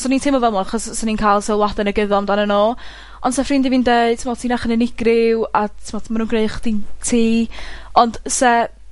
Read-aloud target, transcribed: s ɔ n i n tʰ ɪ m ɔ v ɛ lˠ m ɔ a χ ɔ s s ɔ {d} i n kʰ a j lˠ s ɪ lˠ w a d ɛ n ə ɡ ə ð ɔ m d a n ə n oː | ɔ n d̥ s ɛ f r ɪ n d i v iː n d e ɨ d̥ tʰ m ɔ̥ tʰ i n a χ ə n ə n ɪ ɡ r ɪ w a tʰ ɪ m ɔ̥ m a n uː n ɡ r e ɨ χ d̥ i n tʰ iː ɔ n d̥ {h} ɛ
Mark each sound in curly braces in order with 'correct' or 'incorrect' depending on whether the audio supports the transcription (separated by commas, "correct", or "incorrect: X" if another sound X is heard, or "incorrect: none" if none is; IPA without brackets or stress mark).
incorrect: n, incorrect: s